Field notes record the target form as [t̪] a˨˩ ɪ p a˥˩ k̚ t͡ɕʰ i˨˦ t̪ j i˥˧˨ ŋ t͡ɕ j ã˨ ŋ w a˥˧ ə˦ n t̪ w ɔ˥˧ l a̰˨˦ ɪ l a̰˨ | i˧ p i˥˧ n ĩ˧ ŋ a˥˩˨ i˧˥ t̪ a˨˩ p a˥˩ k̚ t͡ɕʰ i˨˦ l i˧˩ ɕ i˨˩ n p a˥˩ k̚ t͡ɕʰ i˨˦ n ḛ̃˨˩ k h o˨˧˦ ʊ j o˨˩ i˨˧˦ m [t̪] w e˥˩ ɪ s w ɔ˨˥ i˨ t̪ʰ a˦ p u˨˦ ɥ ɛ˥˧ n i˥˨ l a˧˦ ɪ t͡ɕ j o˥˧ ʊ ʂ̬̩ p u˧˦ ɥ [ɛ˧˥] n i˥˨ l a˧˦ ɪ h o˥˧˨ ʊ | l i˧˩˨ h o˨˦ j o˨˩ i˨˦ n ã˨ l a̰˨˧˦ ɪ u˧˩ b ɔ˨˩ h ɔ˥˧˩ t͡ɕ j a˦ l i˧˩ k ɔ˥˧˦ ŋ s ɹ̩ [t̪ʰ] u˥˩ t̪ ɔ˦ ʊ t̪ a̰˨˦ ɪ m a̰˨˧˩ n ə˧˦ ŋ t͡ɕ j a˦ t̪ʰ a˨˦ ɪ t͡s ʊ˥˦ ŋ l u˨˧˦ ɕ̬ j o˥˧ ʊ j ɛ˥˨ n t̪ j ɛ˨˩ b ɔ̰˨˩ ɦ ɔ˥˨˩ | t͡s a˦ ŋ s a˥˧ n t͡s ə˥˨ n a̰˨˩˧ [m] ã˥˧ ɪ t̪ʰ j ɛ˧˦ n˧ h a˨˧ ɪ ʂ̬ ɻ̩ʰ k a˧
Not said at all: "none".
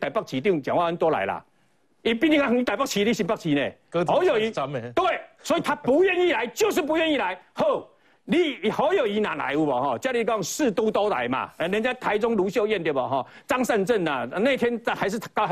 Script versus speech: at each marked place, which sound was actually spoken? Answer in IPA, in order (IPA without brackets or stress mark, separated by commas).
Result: t̪, t̪, ɛ˥˧, t̪, n